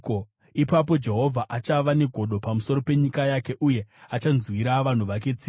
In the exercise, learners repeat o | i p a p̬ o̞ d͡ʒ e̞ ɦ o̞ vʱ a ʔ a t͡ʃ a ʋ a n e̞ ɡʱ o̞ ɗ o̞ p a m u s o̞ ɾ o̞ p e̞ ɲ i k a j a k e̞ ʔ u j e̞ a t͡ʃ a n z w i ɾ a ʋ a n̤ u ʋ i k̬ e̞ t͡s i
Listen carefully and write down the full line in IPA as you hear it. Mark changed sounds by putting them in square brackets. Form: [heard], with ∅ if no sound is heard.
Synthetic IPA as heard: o | i p a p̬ o̞ d͡ʒ e̞ ɦ o̞ vʱ a ʔ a t͡ʃ a ʋ a n e̞ ɡʱ o̞ ɗ o̞ p a m u s o̞ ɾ o̞ p e̞ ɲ i k a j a k e̞ ʔ u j e̞ a t͡ʃ a n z w i ɾ a ʋ a n̤ u ʋ [a] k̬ e̞ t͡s i